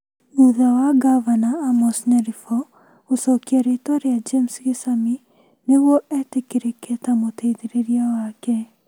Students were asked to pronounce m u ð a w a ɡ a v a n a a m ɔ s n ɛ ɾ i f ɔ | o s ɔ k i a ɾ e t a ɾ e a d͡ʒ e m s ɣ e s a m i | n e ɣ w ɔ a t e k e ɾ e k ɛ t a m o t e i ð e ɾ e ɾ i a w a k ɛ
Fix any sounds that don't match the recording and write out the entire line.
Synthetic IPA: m u ð a w a ɡ a v a n a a m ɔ s n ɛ ɾ i f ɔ | o s ɔ k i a ɾ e t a ɾ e a d͡ʒ e m s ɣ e s a m i | n e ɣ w ɔ ɛ t e k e ɾ e k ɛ t a m o t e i ð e ɾ e ɾ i a w a k ɛ

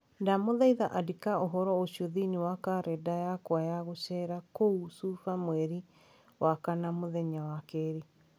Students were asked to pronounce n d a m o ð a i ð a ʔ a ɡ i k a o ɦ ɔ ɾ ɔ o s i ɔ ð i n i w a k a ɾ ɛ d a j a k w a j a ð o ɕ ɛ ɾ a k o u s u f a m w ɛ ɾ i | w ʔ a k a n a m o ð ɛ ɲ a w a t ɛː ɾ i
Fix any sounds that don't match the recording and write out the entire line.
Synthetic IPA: n d a m o ð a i ð a ʔ a d i k a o ɦ ɔ ɾ ɔ o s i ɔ ð i n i w a k a ɾ ɛ d a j a k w a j a ɣ o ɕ ɛ ɾ a k o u s u f a m w ɛ ɾ i | w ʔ a k a n a m o ð ɛ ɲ a w a k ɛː ɾ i

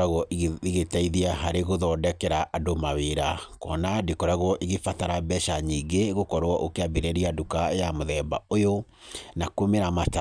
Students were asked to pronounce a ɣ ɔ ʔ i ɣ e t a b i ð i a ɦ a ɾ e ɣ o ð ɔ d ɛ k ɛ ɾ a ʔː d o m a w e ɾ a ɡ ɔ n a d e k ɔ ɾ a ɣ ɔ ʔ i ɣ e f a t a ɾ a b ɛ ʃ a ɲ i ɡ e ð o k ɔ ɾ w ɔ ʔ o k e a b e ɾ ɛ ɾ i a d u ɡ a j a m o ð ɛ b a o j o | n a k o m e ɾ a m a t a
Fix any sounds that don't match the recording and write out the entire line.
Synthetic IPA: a ɣ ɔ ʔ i ɣ e t a i ð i a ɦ a ɾ e ɣ o ð ɔ d ɛ k ɛ ɾ a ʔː d o m a w e ɾ a k ɔ n a d e k ɔ ɾ a ɣ ɔ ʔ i ɣ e f a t a ɾ a b ɛ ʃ a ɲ i ɡ e ɣ o k ɔ ɾ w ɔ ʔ o k e a b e ɾ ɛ ɾ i a d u k a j a m o ð ɛ b a o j o | n a k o m e ɾ a m a t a

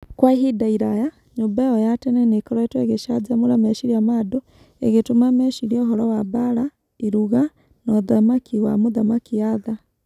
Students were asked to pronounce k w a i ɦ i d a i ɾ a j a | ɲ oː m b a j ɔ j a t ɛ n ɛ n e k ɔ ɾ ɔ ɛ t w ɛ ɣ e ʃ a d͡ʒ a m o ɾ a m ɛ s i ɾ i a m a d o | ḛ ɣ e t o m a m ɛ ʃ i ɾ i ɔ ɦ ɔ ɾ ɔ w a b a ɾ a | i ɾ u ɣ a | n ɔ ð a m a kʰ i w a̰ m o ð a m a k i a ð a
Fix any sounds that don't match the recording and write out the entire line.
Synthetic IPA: k w a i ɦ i d a i ɾ a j a | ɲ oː m b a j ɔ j a t ɛ n ɛ n e k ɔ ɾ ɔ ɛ t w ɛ ɣ e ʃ a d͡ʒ a m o ɾ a m ɛ ʃ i ɾ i a m a d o | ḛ ɣ e t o m a m ɛ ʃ i ɾ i ɔ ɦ ɔ ɾ ɔ w a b a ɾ a | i ɾ u ɣ a | n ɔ ð a m a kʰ i w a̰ m o ð a m a k i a ð a

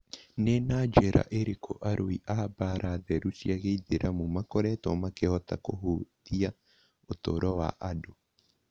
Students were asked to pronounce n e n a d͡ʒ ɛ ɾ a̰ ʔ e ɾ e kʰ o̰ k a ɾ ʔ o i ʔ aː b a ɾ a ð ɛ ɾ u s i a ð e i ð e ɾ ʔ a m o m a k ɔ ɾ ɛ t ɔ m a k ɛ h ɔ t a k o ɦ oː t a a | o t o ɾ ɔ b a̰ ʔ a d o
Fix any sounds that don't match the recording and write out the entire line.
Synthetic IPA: n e n a d͡ʒ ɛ ɾ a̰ ʔ e ɾ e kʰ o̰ ʔ a ɾ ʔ o i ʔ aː b a ɾ a ð ɛ ɾ u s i a ɣ e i ð e ɾ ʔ a m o m a k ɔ ɾ ɛ t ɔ m a k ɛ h ɔ t a k o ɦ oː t i a | o t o ɾ ɔ w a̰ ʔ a d o

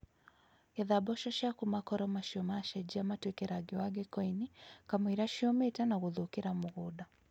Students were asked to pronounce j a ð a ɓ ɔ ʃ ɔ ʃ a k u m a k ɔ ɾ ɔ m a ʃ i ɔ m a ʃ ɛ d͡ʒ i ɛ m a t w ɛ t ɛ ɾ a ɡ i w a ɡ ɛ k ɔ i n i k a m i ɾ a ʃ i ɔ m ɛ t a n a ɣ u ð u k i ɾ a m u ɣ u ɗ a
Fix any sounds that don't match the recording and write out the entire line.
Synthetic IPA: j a ð a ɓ ɔ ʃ ɔ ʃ a k u m a k ɔ ɾ ɔ m a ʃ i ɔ m a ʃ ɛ d͡ʒ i a m a t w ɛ k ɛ ɾ a ɡ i w a ɡ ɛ k ɔ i n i k a m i ɾ a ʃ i ɔ m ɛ t a n a ɣ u ð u k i ɾ a m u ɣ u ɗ a

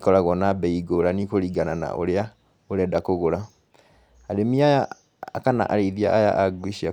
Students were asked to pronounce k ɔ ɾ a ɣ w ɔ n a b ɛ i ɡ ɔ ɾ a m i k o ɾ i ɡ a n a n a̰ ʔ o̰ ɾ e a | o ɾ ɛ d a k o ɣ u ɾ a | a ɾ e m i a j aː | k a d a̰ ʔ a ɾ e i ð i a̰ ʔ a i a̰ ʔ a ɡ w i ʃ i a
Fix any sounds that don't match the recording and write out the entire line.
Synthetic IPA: k ɔ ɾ a ɣ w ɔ n a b ɛ i ɡ o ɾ a n i k o ɾ i ɡ a n a n a̰ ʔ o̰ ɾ e a | o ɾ ɛ d a k o ɣ o ɾ a | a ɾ e m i a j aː | k a n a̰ ʔ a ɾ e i ð i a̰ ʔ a j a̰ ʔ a ɡ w i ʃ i a

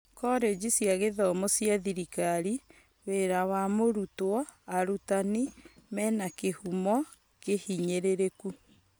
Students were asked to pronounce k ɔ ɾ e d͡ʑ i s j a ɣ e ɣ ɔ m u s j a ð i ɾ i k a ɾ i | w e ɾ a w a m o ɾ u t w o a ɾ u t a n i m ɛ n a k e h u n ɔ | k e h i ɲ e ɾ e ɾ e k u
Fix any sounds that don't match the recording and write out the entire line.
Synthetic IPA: k ɔ ɾ e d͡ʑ i s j a ɣ e ð ɔ m o s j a ð i ɾ i k a ɾ i | w e ɾ a w a m o ɾ u t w ɔ a ɾ u t a n i m ɛ n a k e h u m ɔ | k e h i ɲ e ɾ e ɾ e k u

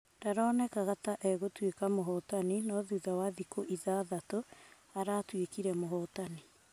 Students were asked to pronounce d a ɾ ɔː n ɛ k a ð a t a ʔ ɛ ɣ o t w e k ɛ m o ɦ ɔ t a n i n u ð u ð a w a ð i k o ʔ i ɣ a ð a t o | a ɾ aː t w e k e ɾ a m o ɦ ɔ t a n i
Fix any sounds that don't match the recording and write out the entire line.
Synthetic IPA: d a ɾ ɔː n ɛ k a ɣ a t a ʔ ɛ ɣ o t w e k a m o ɦ ɔ t a n i n ɔ ð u ð a w a ð i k o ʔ i ð a ð a t o | a ɾ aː t w e k i ɾ ɛ m o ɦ ɔ t a n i

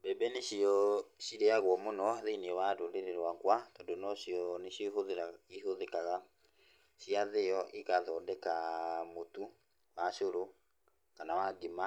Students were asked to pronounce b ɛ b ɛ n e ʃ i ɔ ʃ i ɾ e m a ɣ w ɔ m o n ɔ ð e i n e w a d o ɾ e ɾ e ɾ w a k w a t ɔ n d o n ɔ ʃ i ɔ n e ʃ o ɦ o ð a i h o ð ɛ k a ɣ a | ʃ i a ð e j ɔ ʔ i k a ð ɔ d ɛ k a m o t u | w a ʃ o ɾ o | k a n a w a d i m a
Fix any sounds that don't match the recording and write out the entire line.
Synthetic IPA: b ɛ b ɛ n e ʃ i ɔ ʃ i ɾ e a ɣ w ɔ m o n ɔ ð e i n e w a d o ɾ e ɾ e ɾ w a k w a t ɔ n d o n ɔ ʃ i ɔ n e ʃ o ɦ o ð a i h o ð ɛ k a ɣ a | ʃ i a ð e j ɔ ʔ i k a ð ɔ d ɛ k a m o t u | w a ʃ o ɾ o | k a n a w a ɡ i m a

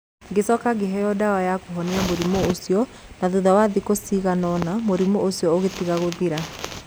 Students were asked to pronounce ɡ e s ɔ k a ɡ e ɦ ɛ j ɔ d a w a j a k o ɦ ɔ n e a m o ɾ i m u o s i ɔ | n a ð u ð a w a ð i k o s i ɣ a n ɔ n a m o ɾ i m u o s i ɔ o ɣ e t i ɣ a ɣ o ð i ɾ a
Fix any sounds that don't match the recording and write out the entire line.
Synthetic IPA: ɡ e s ɔ k a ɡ e ɦ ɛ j ɔ d a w a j a k o ɦ ɔ n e a m o ɾ i m o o s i ɔ | n a ð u ð a w a ð i k o s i ɣ a n ɔ n a m o ɾ i m o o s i ɔ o ɣ e t i ɣ a ɣ o ð i ɾ a

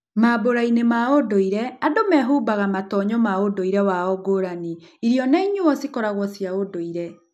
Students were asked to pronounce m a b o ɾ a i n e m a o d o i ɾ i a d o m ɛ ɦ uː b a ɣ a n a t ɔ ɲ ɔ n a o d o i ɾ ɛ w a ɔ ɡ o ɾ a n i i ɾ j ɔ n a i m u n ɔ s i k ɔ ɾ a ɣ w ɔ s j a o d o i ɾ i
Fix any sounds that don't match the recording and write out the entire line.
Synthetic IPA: m a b o ɾ a i n e m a o d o i ɾ ɛ a d o m ɛ ɦ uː b a ɣ a m a t ɔ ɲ ɔ m a o d o i ɾ ɛ w a ɔ ɡ o ɾ a n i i ɾ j ɔ n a i ɲ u ɔ s i k ɔ ɾ a ɣ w ɔ s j a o d o i ɾ ɛ

